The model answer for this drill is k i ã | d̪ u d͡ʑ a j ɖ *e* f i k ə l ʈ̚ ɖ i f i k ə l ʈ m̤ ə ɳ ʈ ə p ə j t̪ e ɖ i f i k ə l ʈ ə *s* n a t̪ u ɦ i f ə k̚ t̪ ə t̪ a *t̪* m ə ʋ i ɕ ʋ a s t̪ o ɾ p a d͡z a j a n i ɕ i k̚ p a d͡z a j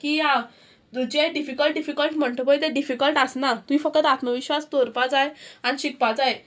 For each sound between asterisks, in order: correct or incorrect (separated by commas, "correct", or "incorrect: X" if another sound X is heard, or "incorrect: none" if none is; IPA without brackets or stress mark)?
incorrect: i, correct, correct